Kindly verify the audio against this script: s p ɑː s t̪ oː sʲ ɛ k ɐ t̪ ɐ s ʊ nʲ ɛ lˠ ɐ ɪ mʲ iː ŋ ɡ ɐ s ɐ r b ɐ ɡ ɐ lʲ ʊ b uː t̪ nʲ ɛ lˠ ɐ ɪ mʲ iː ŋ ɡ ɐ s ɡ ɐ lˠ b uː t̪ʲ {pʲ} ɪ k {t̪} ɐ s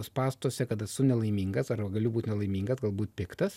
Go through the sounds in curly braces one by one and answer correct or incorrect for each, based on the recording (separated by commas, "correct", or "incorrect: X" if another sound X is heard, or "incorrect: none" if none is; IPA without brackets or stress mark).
correct, correct